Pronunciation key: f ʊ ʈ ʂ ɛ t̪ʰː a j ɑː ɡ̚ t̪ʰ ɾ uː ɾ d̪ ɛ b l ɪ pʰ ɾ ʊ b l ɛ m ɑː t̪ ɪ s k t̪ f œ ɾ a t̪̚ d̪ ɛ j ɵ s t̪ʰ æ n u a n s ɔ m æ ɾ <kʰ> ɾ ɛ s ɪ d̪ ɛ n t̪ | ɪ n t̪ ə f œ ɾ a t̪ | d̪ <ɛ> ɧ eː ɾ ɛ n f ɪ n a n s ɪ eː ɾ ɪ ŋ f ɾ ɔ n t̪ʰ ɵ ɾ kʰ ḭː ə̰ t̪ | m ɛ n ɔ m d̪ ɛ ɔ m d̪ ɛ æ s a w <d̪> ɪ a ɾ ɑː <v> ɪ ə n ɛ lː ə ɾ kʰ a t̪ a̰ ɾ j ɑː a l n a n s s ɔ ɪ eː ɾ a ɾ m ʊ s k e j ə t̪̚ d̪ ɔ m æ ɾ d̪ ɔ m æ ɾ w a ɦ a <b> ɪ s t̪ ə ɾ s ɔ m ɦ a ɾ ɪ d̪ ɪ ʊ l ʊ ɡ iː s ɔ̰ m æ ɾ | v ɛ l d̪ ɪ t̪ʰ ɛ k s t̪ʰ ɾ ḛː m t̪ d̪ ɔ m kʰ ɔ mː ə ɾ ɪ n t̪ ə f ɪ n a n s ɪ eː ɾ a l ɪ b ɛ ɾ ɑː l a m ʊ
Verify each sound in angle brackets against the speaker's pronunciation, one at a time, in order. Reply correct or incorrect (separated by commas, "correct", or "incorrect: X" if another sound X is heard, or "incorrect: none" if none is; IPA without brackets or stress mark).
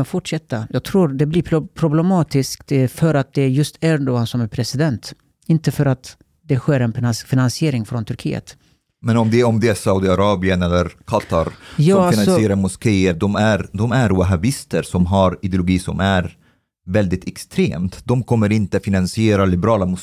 incorrect: pʰ, correct, correct, incorrect: b, correct